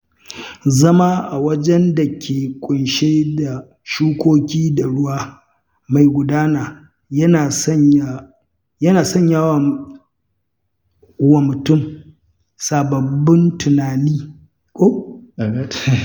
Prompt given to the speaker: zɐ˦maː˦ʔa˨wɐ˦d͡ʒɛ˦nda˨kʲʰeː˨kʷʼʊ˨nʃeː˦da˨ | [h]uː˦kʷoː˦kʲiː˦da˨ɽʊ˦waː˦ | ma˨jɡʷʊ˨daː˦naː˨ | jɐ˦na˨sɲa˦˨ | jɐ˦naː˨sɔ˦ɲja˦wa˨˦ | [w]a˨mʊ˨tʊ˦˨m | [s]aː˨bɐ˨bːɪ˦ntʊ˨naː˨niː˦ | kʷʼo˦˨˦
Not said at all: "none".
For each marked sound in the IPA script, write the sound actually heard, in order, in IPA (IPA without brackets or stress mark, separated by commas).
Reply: ʃ, w, s